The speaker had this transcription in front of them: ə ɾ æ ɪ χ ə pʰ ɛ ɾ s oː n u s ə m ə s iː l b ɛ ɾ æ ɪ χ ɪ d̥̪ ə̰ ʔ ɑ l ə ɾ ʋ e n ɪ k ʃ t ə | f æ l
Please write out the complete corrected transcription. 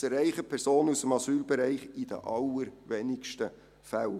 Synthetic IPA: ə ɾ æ ɪ χ ə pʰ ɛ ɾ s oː n u s ə m ɑ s yː l b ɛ ɾ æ ɪ χ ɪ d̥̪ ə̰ ʔ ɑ l ə ɾ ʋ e n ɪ k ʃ t ə | f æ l